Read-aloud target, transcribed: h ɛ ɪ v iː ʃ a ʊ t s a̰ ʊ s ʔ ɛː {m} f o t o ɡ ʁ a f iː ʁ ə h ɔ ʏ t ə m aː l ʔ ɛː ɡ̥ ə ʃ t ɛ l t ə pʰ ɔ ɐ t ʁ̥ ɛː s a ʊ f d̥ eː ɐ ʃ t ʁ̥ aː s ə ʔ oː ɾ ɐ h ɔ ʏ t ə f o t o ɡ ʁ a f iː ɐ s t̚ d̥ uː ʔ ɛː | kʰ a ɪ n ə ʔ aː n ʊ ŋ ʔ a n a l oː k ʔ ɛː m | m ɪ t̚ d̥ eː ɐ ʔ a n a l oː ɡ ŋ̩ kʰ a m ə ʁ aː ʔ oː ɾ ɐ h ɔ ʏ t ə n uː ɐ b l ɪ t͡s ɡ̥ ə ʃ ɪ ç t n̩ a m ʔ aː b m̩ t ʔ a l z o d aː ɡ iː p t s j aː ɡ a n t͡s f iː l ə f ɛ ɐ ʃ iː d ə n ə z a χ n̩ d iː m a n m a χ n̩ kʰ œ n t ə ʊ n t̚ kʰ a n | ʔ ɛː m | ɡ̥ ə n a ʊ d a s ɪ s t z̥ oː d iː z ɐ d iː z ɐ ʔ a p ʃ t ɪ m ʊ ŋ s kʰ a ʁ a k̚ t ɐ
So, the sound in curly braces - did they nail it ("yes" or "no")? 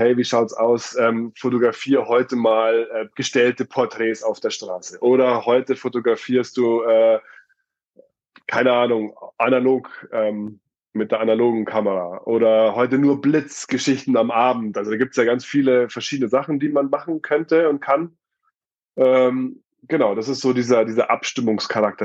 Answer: yes